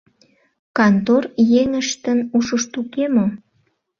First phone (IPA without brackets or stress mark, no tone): k